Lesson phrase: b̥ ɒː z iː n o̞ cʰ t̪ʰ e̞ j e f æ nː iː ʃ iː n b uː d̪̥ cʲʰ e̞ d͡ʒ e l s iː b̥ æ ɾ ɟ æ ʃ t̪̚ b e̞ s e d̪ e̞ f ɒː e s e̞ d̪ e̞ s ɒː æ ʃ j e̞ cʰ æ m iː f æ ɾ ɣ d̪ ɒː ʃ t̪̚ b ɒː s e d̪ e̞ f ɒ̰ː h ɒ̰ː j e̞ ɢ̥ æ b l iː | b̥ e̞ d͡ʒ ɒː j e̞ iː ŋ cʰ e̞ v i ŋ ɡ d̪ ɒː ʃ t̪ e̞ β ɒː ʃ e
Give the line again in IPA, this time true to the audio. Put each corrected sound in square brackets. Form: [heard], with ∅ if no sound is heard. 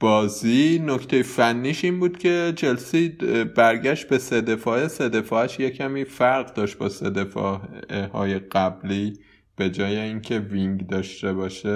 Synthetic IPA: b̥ ɒː z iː n o̞ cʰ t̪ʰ e̞ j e f æ nː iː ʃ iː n b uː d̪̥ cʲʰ e̞ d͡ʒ e l s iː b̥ æ ɾ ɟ æ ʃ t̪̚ b e̞ s e d̪ e̞ f ɒː e s e̞ d̪ e̞ [f] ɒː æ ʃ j e̞ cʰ æ m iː f æ ɾ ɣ d̪ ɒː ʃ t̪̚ b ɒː s e d̪ e̞ f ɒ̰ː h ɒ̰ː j e̞ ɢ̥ æ b l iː | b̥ e̞ d͡ʒ ɒː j e̞ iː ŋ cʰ e̞ v i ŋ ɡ d̪ ɒː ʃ t̪ e̞ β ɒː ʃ e